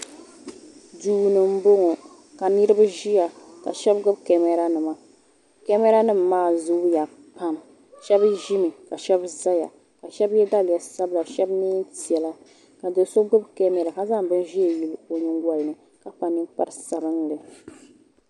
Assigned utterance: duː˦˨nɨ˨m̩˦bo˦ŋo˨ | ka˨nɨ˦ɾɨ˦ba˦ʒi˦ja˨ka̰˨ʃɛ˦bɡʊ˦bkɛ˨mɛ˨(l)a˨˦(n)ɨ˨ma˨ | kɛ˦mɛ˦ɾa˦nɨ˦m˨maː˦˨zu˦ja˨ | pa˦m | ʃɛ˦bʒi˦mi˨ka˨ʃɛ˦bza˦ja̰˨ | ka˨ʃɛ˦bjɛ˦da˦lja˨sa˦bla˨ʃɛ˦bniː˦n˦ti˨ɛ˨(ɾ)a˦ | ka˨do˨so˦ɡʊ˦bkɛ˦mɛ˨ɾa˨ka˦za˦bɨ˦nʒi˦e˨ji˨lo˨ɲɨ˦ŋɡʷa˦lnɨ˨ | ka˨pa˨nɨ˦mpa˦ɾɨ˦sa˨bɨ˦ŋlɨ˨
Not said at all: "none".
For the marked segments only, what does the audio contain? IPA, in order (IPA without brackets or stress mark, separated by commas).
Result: ɾ, n, l